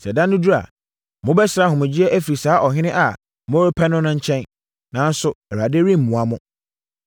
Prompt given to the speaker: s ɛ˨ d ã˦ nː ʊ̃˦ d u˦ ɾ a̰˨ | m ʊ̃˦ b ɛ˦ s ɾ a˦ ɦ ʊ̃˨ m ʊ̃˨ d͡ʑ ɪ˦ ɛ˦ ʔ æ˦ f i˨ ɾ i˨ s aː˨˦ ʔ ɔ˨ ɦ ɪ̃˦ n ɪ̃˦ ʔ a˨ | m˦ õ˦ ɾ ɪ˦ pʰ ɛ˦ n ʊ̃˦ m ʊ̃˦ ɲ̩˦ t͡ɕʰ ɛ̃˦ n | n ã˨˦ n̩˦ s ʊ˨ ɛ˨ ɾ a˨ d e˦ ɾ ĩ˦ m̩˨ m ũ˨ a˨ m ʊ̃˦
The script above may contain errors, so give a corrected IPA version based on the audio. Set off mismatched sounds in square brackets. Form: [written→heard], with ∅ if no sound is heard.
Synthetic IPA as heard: s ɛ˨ d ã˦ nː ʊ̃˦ d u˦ ɾ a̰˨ | m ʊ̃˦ b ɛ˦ s ɾ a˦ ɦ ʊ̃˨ m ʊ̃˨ d͡ʑ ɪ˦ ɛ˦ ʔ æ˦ f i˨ ɾ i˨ s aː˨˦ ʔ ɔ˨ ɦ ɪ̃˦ n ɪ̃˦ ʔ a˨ | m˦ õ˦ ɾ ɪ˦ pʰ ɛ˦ n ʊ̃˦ [m→n] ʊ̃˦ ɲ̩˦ t͡ɕʰ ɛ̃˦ n | n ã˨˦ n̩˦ s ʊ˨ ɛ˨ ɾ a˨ d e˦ ɾ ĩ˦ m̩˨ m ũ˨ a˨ m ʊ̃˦